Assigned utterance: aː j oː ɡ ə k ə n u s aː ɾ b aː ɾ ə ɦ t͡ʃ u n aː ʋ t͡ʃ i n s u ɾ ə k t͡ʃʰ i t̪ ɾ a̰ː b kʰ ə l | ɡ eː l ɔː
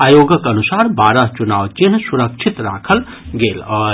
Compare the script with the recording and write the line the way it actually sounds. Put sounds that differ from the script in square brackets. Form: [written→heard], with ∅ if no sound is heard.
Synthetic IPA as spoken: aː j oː ɡ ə k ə n u s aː ɾ b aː ɾ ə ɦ t͡ʃ u n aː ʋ t͡ʃ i n s u ɾ ə k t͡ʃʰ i t̪ ɾ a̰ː [b→∅] kʰ ə l | ɡ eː l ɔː